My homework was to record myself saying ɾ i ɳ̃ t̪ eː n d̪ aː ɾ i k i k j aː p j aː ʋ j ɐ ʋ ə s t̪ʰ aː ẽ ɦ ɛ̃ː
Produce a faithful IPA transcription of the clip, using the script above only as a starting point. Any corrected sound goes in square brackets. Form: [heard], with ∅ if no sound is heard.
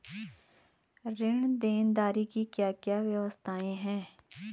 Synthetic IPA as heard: ɾ [ɪ] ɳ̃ [d̪] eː n d̪ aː ɾ i k i k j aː [k] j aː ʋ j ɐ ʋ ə s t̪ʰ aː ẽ ɦ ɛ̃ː